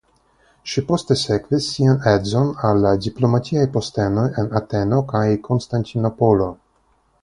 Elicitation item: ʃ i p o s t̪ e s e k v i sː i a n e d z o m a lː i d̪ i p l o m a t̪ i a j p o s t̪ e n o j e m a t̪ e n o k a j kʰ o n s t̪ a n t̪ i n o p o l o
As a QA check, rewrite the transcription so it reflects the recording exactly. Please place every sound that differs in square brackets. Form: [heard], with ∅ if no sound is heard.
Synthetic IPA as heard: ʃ i p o s t̪ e s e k v i sː i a n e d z o [n] a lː [a] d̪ i p l o m a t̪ i a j p o s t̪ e n o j e [n] a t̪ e n o k a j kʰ o n s t̪ a n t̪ i n o p o l o